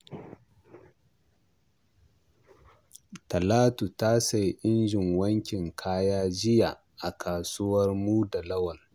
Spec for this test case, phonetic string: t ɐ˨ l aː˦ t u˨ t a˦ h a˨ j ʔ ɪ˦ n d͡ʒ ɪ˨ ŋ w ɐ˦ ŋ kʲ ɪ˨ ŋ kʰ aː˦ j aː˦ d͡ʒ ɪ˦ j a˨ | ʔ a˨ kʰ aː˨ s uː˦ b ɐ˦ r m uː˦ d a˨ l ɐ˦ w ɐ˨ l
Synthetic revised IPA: t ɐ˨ l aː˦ t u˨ t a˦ s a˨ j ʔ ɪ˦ n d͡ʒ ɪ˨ ŋ w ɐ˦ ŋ kʲ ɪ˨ ŋ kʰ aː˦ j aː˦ d͡ʒ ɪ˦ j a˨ | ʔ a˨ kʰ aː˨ s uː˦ w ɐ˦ r m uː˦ d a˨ l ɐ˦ w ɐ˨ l